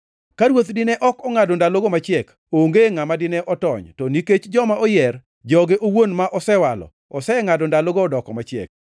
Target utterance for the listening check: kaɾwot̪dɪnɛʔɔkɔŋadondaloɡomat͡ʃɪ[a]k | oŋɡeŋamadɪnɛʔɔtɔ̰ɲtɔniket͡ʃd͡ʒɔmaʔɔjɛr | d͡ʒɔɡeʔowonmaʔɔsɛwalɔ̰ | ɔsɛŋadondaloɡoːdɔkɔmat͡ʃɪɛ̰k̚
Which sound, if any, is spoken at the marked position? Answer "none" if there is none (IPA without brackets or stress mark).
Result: ɛ